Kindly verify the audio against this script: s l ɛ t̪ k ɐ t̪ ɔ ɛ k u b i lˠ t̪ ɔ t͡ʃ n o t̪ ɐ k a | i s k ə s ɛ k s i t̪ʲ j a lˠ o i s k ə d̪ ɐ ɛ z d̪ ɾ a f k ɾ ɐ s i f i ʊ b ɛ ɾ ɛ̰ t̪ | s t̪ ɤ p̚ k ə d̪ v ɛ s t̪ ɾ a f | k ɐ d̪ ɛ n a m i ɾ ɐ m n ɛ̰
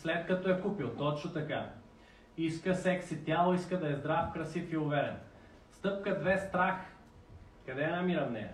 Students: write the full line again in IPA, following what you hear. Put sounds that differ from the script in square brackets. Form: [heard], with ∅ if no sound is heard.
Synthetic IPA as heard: s l ɛ t̪ k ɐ t̪ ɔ ɛ k u [p] i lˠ t̪ ɔ t͡ʃ n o t̪ ɐ k a | i s k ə s ɛ k s i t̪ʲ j a lˠ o i s k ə d̪ ɐ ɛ z d̪ ɾ a f k ɾ ɐ s i f i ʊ [v] ɛ ɾ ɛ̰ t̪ | s t̪ ɤ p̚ k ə d̪ v ɛ s t̪ ɾ a [x] | k ɐ d̪ ɛ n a m i ɾ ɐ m n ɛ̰